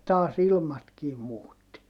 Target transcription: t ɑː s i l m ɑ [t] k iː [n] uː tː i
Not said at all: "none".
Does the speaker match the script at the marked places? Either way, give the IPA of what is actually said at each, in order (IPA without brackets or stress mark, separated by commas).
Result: t, m